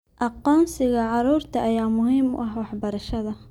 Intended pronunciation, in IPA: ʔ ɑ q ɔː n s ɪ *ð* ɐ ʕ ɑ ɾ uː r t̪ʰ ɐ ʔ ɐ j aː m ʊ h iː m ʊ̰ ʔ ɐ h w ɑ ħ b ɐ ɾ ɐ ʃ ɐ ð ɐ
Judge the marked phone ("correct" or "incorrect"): incorrect